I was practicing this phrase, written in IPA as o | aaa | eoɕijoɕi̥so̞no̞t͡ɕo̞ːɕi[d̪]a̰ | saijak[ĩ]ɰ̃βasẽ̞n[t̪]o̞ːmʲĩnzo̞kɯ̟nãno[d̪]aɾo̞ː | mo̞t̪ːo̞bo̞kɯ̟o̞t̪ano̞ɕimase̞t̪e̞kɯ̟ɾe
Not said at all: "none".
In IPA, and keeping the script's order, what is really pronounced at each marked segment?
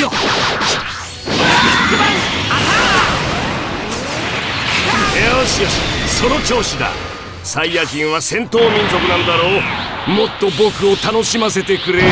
d̪, ĩ, t̪, d̪

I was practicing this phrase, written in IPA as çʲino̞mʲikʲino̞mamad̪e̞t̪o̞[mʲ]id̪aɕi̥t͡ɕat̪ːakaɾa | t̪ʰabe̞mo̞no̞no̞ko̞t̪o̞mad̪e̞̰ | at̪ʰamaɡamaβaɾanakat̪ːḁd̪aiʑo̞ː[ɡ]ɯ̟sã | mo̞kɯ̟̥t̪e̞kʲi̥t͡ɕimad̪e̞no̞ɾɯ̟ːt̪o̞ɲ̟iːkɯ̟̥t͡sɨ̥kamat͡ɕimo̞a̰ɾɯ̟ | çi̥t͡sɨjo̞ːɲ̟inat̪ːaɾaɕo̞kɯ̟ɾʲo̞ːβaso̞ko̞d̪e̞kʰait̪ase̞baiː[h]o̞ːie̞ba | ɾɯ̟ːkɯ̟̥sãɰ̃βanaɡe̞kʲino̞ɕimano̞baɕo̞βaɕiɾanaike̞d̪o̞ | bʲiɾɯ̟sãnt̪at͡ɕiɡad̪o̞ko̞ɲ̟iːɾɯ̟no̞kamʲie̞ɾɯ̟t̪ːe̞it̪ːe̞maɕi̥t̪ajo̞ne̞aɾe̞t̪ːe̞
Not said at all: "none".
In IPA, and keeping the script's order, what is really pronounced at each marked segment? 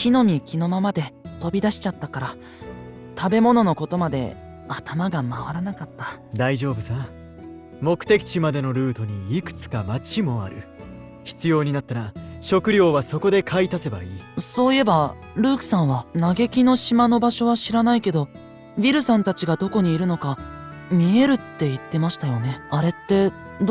bʲ, b, s

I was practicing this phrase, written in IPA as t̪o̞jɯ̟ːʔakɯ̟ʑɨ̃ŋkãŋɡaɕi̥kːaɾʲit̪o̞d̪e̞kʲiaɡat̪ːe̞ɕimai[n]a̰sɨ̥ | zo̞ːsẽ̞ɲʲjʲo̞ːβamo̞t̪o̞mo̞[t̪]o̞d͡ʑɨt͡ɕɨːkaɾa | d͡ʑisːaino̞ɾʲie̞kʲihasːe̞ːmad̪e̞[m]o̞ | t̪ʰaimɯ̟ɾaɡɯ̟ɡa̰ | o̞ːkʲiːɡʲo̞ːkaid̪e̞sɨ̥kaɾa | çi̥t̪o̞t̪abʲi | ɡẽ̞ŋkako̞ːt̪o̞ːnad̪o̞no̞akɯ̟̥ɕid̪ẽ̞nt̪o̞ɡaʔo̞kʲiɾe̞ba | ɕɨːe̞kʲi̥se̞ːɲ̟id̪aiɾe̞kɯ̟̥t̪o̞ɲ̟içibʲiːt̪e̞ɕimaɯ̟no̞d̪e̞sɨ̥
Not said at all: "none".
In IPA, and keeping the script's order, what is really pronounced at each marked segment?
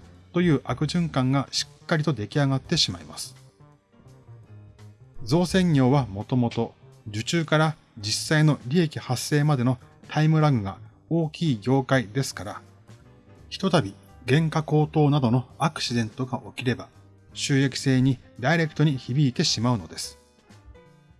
m, t̪, n

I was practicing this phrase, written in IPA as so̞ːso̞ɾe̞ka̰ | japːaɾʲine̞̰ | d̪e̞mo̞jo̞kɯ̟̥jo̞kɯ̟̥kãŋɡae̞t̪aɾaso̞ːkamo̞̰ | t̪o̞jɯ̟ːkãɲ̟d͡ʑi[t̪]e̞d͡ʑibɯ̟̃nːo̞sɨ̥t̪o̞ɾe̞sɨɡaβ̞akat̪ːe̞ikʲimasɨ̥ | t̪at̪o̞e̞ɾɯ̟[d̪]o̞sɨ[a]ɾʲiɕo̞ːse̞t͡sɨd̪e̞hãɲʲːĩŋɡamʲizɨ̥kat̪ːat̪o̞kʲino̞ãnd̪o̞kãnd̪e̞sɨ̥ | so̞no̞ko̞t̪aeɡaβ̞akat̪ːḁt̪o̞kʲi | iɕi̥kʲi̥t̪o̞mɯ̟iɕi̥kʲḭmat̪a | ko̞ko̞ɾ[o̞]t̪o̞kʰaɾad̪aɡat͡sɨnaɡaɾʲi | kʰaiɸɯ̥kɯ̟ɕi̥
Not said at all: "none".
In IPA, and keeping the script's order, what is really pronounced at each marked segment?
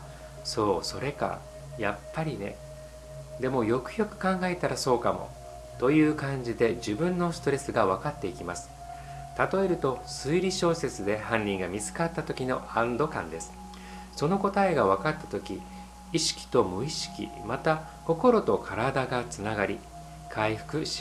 d̪, t̪, i, o̞

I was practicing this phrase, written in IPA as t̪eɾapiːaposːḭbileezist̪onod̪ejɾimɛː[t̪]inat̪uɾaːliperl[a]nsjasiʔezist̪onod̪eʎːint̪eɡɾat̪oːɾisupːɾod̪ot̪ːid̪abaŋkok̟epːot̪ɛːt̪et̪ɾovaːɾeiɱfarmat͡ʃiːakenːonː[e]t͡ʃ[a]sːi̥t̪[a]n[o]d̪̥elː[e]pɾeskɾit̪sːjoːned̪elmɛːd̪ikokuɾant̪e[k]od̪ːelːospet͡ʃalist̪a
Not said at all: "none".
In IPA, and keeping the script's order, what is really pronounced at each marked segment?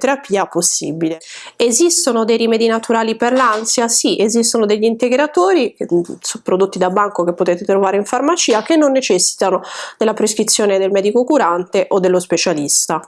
d̪, a, e, ɛ, a, o, a, ʔ

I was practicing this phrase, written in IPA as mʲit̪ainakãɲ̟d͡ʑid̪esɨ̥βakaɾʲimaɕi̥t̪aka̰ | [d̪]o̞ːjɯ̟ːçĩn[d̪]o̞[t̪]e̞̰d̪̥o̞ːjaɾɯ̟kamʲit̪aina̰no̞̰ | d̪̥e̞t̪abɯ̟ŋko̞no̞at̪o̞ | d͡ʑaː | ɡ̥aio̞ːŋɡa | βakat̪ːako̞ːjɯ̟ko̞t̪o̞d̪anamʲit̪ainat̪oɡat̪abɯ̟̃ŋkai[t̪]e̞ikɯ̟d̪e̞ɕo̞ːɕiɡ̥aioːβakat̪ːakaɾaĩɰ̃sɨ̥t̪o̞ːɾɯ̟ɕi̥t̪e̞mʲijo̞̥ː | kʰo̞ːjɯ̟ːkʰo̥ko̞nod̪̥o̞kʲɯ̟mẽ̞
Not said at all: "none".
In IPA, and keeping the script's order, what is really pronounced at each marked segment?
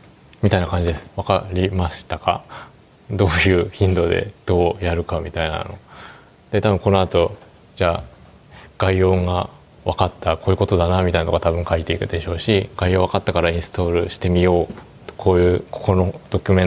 d̪, d̪, d̪, t̪

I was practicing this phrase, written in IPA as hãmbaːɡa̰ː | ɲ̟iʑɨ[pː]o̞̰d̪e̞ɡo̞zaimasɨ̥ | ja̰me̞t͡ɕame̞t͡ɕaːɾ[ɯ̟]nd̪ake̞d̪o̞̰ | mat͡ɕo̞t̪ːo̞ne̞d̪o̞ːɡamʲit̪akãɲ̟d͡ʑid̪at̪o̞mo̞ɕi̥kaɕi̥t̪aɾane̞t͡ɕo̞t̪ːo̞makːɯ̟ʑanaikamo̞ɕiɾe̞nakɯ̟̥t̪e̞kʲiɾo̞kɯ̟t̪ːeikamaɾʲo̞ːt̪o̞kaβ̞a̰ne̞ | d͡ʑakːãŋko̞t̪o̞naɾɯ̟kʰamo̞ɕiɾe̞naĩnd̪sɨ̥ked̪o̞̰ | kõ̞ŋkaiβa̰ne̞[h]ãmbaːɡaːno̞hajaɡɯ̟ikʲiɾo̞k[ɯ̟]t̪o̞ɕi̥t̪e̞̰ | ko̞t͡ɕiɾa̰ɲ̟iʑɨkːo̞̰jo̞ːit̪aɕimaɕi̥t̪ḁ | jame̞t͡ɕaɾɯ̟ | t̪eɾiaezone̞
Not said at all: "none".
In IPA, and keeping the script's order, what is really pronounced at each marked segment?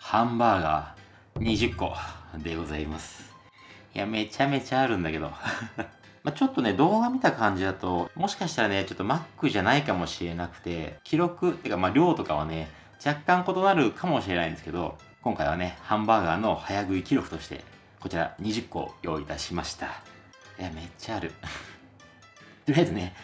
kː, ɯ̟̃, h, ɯ̟

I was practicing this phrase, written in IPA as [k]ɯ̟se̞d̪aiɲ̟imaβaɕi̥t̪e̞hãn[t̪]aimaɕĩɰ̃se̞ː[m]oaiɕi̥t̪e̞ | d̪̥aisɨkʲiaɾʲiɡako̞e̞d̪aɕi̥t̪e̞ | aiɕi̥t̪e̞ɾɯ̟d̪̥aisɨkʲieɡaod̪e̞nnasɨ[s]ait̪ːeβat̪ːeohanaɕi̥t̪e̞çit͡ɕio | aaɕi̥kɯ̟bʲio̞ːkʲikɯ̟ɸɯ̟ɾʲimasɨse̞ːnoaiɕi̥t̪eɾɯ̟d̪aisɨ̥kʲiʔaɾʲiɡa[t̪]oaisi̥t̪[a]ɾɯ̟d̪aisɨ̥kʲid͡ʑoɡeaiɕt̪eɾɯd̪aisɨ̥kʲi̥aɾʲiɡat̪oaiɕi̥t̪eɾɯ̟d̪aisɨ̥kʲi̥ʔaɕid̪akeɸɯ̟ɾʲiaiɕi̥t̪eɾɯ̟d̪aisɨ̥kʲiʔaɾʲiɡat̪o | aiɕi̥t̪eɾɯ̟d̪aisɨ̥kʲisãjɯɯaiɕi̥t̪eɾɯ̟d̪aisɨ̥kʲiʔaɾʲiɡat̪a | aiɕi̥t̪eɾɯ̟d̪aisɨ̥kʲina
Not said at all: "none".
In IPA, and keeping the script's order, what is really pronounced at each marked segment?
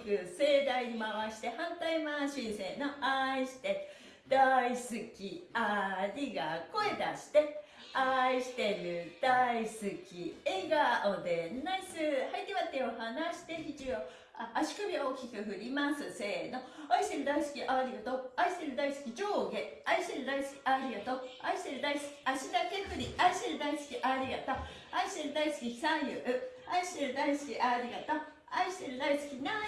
k, t̪, n, h, t̪, e

